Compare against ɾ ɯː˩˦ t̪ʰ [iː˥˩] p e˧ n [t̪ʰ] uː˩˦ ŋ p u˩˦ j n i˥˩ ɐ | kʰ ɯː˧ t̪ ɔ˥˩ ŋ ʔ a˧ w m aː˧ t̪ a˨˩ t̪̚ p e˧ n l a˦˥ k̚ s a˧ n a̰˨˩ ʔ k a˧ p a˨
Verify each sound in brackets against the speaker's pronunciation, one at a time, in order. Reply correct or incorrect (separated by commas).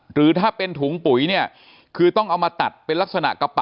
incorrect, correct